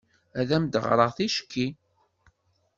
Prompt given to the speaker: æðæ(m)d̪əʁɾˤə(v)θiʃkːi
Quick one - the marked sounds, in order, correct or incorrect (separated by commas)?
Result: correct, incorrect